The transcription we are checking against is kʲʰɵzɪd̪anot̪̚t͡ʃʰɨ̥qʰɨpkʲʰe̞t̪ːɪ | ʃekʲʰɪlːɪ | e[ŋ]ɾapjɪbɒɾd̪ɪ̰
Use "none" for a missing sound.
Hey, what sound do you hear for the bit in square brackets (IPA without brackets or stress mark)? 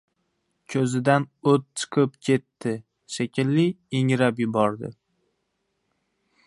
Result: ŋ